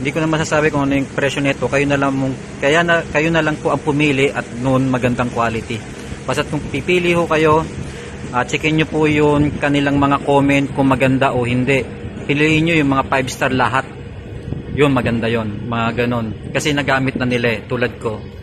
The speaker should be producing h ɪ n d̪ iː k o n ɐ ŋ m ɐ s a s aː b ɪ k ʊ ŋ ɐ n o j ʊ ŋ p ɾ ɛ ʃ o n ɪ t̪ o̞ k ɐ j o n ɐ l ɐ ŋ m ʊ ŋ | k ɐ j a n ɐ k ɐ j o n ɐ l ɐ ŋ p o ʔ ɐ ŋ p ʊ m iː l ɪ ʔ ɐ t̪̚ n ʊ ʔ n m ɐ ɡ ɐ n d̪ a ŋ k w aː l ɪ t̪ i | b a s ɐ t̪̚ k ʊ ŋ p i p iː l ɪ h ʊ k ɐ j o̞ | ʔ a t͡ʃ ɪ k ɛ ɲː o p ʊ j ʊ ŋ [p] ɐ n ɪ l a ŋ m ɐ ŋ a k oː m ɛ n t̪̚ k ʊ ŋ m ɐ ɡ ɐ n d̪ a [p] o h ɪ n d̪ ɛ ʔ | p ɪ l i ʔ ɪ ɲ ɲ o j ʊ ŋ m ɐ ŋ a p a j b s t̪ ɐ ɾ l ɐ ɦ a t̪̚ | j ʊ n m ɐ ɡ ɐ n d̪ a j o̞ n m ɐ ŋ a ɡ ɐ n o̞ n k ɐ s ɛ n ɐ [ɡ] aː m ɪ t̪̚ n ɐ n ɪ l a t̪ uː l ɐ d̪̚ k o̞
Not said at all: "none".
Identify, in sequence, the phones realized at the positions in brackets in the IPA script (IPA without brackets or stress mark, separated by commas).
k, ʔ, ɡ